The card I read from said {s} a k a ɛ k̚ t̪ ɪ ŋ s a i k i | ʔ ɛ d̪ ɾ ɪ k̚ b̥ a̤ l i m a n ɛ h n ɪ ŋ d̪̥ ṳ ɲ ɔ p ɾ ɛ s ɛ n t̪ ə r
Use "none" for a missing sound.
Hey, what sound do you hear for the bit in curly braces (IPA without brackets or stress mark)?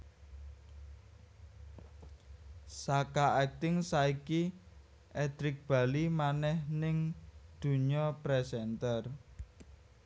s